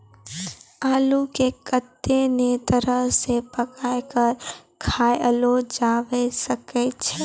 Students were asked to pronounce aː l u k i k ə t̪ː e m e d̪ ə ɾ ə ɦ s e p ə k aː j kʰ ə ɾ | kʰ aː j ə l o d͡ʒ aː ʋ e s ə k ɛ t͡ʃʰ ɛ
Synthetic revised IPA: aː l u k e k ə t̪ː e n e t̪ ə ɾ ə ɦ s e p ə k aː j k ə ɾ | kʰ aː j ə l o d͡ʒ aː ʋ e s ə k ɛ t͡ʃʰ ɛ